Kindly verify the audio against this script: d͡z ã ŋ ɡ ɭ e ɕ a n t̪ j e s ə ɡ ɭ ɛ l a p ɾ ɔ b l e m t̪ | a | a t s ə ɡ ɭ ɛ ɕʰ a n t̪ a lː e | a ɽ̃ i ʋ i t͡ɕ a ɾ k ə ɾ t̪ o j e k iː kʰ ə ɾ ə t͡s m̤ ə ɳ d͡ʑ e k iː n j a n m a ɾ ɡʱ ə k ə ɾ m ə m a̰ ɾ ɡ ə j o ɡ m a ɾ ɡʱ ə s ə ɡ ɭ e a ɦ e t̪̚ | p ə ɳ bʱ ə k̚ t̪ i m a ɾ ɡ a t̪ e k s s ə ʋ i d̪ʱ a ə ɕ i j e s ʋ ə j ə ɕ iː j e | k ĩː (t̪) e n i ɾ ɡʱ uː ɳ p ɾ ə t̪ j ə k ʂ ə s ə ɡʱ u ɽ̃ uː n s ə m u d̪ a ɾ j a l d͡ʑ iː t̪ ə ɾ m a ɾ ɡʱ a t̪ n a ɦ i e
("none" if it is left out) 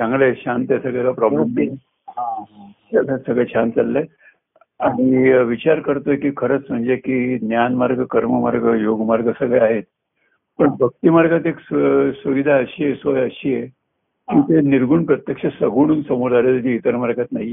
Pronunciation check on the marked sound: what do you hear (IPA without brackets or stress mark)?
t̪